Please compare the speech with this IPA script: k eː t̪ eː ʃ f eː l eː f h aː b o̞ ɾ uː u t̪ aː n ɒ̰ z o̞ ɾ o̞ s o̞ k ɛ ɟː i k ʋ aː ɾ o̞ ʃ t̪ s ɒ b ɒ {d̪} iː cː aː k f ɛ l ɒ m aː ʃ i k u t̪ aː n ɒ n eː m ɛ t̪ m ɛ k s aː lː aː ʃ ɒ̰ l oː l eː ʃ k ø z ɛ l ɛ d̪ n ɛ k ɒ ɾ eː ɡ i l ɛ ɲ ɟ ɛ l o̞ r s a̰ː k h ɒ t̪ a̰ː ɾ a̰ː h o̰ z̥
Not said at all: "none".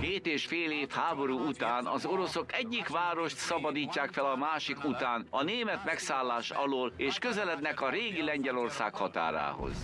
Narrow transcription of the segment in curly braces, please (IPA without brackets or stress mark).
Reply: d̪